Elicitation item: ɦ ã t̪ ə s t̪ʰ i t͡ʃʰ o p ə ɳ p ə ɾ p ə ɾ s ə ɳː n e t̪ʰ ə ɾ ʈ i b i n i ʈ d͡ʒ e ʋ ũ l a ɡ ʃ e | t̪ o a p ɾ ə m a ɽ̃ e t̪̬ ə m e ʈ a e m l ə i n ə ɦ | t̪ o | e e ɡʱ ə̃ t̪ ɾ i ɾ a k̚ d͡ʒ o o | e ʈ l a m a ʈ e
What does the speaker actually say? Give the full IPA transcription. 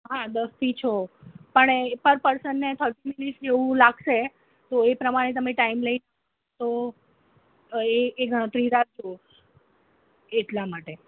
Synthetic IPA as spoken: ɦ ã d̪ ə s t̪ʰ i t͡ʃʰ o p ə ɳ p ə ɾ p ə ɾ s ə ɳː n e t̪ʰ ə ɾ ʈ i m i n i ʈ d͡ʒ e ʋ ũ l a ɡ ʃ e | t̪ o e p ɾ ə m a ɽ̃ e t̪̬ ə m e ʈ a i m l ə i n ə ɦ | t̪ o | e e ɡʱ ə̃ t̪ ɾ i ɾ a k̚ d͡ʒ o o | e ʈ l a m a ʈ e